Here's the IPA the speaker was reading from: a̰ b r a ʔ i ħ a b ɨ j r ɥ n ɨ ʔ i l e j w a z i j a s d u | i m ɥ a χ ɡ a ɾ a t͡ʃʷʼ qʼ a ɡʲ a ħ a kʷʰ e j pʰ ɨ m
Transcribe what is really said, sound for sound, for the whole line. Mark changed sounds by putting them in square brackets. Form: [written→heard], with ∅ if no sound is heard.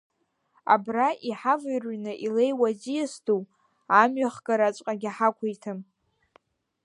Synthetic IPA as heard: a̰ b r a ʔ i ħ a [b→v] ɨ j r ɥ n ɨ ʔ i l e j w a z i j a s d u | [i→a] m ɥ a χ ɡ a ɾ a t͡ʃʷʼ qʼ a ɡʲ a ħ a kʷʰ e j [pʰ→tʰ] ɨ m